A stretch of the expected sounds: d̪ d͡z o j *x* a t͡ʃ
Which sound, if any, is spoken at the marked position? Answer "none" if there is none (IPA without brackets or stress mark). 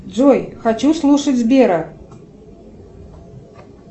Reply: x